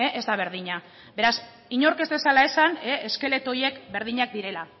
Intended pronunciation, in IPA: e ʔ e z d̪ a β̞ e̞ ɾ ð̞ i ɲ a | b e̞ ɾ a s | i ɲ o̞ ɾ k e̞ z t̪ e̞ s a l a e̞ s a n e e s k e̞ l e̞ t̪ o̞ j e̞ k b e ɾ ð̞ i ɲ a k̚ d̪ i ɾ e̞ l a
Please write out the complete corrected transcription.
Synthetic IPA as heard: e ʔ e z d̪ a β̞ e̞ ɾ ð̞ i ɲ a | b e̞ ɾ a s | i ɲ o̞ ɾ k e̞ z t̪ e̞ s a l a e̞ s a n e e s k e̞ l e̞ t̪ o̞ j e̞ k b e ɾ ð̞ i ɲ a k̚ d̪ i ɾ e̞ l a